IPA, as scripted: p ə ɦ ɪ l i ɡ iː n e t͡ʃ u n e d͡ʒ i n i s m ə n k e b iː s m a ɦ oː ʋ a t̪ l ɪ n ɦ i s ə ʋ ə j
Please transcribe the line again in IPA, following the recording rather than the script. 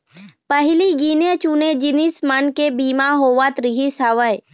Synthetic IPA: p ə ɦ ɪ l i ɡ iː n e t͡ʃ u n e d͡ʒ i n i s m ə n k e b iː m a ɦ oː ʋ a t̪ ɾ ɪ ɦ i s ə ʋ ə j

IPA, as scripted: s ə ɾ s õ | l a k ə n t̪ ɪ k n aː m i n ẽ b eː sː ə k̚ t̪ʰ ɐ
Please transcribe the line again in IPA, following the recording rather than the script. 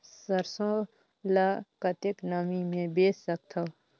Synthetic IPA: s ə ɾ s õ | l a k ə t̪ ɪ k n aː m i m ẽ b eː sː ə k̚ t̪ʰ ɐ

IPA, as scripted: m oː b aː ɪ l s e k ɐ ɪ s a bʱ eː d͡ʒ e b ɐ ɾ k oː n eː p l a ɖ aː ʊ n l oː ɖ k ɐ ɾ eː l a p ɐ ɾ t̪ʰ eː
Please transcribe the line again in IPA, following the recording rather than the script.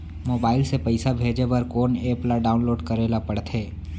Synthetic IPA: m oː b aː ɪ l s e p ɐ ɪ s a bʱ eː d͡ʒ e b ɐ ɾ k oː n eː p l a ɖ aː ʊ n l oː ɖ k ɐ ɾ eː l a p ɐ ɽ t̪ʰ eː

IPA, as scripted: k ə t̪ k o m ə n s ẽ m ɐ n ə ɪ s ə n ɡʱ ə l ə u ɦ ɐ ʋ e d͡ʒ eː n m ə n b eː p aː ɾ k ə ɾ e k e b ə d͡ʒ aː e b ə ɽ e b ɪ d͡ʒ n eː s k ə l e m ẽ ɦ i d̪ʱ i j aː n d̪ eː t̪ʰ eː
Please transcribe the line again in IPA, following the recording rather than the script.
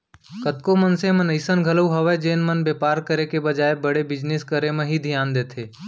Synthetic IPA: k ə t̪ k o m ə n s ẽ m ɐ n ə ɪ s ə n ɡʱ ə l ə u ɦ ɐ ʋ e d͡ʒ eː n m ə n b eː p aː ɾ k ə ɾ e k e b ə d͡ʒ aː e b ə ɽ e b ɪ d͡ʒ n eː s k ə ɾ e m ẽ ɦ i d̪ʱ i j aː n d̪ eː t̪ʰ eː

